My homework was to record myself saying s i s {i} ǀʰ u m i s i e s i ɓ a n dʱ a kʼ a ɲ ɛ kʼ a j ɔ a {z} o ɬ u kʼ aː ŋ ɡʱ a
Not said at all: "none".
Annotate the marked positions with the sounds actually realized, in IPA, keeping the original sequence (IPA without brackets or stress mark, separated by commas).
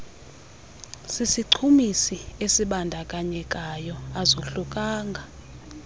i, z